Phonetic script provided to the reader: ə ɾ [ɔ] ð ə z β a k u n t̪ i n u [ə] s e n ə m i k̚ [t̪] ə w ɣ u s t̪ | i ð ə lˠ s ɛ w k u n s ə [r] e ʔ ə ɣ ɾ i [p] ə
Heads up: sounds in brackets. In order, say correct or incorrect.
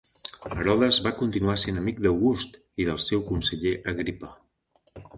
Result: correct, incorrect, incorrect, incorrect, correct

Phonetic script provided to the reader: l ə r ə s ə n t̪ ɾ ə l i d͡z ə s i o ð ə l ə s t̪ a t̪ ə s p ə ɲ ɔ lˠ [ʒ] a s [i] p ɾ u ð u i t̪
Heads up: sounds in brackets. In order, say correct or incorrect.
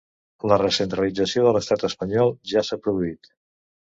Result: correct, incorrect

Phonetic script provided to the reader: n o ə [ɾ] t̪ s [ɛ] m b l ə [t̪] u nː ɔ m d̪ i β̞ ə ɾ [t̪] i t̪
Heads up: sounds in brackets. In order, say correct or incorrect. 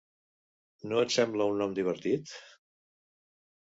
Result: incorrect, correct, incorrect, correct

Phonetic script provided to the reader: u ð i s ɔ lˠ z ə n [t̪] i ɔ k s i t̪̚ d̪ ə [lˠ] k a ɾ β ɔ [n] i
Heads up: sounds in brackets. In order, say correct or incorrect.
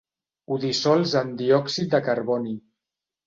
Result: incorrect, incorrect, correct

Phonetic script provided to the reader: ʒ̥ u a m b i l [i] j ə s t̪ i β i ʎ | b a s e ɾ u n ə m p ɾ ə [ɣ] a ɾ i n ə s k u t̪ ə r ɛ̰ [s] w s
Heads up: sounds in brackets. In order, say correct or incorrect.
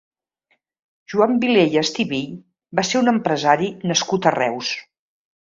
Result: incorrect, incorrect, incorrect

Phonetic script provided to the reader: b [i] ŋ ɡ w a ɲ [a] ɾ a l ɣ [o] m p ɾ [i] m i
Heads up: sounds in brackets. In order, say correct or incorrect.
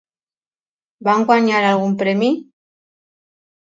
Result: incorrect, correct, incorrect, incorrect

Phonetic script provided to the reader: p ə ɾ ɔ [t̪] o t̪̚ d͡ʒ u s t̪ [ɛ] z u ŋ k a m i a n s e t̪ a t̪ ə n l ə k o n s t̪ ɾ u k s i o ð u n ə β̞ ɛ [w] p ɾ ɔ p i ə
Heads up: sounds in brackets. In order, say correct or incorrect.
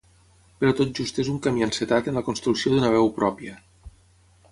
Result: correct, incorrect, correct

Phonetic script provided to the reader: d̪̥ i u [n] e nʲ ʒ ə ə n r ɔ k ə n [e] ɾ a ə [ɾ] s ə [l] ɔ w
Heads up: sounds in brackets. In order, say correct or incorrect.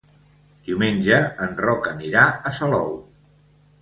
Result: incorrect, incorrect, incorrect, correct

